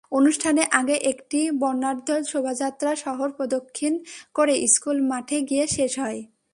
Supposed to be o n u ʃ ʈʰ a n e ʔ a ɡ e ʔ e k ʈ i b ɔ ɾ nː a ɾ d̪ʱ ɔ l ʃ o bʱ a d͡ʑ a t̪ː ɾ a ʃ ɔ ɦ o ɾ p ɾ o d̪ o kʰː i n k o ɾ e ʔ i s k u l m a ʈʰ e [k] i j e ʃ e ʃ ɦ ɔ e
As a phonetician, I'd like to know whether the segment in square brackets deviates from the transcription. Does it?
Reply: yes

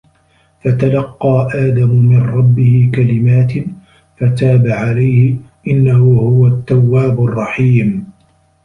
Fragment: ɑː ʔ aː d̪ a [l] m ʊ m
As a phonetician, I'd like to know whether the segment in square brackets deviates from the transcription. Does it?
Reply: yes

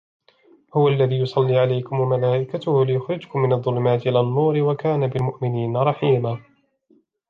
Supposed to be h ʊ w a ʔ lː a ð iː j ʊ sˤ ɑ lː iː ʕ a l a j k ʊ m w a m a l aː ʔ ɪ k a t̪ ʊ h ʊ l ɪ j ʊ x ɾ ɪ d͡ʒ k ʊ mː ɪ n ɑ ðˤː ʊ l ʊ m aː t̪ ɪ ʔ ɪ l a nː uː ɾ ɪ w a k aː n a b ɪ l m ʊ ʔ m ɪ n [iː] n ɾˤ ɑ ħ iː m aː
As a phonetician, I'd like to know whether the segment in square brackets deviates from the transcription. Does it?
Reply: no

